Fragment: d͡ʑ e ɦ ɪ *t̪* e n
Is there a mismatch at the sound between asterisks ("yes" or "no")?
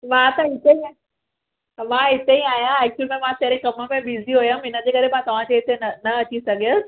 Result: no